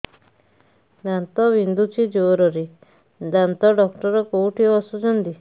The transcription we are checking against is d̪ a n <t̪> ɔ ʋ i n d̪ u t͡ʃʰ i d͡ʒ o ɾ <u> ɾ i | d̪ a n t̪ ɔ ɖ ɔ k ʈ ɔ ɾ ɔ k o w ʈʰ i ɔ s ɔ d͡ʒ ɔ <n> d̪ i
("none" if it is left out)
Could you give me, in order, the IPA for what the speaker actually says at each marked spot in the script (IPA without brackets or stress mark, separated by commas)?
t̪, ɔ, n